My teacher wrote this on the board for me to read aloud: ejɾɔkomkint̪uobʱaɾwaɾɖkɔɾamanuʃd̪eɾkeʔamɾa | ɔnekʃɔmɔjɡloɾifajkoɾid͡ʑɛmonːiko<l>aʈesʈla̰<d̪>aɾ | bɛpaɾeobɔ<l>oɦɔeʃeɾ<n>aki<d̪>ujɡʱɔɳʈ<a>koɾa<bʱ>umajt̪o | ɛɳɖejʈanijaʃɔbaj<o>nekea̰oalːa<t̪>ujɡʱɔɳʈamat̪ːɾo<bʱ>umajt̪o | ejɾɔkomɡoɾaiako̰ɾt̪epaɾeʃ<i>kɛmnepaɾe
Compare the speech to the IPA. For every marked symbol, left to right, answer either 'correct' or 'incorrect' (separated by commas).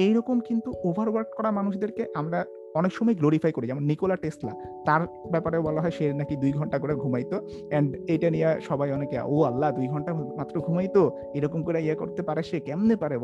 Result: correct, incorrect, correct, correct, correct, correct, incorrect, incorrect, incorrect, incorrect, incorrect